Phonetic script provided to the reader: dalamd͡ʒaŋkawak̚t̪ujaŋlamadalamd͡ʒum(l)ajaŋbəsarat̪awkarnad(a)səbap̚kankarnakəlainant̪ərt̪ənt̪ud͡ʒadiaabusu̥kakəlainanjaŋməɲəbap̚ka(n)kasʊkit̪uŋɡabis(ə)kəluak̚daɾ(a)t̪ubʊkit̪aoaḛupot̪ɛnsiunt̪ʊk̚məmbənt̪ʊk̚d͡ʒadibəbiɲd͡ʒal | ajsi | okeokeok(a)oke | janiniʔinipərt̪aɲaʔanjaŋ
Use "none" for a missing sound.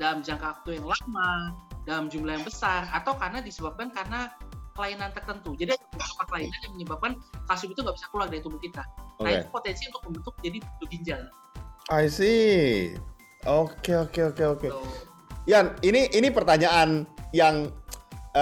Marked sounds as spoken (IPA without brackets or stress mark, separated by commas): l, i, n, a, i, e